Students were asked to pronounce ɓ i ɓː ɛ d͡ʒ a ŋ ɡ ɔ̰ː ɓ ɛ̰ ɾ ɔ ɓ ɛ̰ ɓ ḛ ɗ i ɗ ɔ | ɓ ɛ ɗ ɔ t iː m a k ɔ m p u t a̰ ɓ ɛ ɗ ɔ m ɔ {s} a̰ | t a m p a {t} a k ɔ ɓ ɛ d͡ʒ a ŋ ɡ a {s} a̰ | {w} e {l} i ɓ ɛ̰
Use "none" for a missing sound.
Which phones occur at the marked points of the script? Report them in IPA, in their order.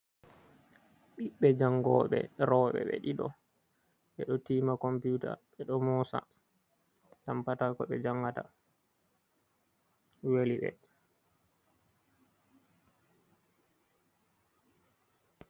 s, t, t, w, l

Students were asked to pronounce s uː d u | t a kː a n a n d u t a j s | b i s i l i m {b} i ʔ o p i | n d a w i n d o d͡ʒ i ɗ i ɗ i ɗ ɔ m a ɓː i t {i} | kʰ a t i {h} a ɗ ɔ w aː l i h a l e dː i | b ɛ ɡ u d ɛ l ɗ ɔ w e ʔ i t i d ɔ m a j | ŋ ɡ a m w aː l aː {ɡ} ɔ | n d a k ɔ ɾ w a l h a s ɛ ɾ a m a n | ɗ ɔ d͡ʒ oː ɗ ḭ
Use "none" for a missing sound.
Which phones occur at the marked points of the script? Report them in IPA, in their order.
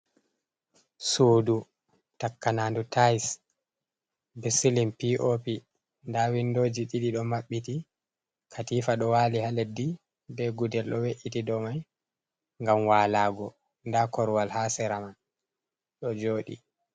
p, i, f, ɡ

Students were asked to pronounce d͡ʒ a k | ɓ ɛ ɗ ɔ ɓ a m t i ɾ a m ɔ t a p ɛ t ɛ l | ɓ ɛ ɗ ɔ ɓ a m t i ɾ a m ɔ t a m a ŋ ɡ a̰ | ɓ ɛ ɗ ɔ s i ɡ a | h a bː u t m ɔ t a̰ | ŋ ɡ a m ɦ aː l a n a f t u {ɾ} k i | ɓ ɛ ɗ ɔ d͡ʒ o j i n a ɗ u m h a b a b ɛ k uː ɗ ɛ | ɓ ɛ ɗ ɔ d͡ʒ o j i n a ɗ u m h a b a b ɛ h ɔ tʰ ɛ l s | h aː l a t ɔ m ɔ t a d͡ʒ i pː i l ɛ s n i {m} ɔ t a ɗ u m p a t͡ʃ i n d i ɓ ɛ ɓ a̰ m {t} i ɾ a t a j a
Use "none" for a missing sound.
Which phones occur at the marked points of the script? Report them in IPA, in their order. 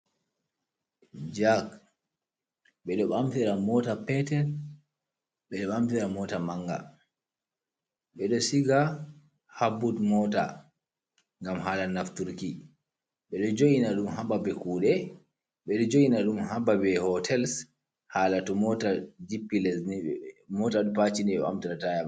ɾ, m, t

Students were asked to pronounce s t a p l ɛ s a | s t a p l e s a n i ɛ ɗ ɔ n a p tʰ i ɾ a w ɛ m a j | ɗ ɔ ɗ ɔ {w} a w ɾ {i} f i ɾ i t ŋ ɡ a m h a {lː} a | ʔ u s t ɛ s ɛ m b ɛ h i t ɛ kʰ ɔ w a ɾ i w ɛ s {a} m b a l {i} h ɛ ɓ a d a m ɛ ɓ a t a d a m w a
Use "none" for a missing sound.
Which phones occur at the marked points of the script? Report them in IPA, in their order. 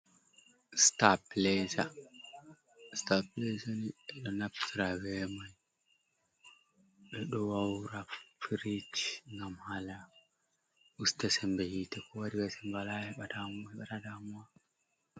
w, a, l, ɛ, a

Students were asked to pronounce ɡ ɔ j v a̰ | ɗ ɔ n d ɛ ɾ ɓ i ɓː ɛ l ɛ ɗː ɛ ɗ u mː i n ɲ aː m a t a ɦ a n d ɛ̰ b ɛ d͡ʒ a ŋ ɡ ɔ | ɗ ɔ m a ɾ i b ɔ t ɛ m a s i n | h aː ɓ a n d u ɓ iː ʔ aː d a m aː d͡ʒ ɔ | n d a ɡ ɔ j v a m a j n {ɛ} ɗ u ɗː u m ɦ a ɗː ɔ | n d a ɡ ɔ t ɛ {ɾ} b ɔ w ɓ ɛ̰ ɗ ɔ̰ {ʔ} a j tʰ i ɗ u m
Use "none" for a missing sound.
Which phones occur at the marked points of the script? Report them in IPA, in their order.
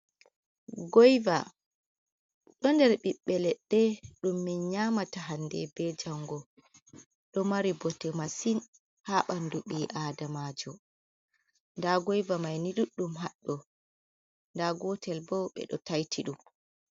i, l, t

